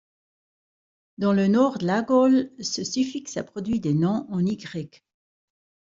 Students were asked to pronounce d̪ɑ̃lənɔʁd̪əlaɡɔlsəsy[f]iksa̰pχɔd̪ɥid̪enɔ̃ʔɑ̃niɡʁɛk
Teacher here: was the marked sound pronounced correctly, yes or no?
yes